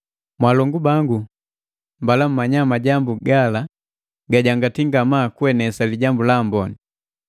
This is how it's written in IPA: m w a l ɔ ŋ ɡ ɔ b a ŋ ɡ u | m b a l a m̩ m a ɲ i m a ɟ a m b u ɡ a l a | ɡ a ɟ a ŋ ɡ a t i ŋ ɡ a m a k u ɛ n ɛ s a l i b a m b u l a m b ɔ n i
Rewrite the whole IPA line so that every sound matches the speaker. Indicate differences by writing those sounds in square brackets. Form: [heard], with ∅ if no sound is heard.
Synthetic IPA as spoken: m w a l ɔ ŋ ɡ [u] b a ŋ ɡ u | m b a l a m̩ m a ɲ [a] m a ɟ a m b u ɡ a l a | ɡ a ɟ a ŋ ɡ a t i ŋ ɡ a m a k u ɛ n ɛ s a l i [ɟ] a m b u l a m b ɔ n i